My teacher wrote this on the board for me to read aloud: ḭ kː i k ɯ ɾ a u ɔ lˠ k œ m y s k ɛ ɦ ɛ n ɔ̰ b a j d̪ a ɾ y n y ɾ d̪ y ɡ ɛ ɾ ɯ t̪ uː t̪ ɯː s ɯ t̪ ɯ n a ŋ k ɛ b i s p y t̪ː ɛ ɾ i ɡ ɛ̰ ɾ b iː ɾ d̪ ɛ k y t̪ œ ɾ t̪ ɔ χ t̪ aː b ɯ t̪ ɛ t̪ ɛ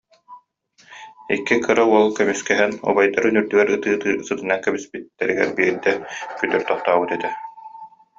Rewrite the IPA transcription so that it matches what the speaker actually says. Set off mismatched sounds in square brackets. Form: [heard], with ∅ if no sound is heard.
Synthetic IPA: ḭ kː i k ɯ ɾ a u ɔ lˠ k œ m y s k ɛ ɦ ɛ n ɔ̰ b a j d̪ a ɾ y n y ɾ d̪ y ɡ ɛ ɾ ɯ t̪ [ɯː] t̪ ɯː s ɯ t̪ ɯ n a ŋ k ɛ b i s p [i] t̪ː ɛ ɾ i ɡ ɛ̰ ɾ b iː ɾ d̪ ɛ k y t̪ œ ɾ t̪ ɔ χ t̪ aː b ɯ t̪ ɛ t̪ ɛ